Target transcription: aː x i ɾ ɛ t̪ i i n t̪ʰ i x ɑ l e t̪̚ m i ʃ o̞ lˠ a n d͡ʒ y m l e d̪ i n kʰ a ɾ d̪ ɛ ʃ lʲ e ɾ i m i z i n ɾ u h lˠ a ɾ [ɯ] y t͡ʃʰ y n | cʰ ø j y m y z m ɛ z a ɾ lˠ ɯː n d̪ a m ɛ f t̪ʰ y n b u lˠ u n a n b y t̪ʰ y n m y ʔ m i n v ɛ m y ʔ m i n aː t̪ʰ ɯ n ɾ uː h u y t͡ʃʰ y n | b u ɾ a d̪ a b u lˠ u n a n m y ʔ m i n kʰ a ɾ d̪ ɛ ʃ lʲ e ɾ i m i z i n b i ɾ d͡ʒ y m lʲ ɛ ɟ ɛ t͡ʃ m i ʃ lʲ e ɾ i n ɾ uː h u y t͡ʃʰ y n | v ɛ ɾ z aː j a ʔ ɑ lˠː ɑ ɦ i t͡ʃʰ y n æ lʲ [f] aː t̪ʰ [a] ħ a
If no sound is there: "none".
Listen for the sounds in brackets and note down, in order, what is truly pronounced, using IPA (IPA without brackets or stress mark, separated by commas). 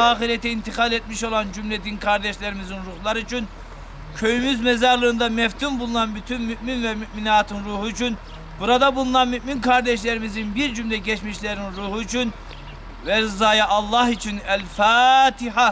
ɯ, f, i